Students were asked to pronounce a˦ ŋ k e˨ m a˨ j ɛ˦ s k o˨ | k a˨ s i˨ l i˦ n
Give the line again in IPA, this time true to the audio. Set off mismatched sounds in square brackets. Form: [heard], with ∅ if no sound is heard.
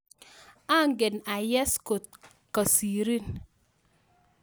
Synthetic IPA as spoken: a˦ ŋ [ɡ] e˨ [n] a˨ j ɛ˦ s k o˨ | k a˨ s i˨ [ɾ] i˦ n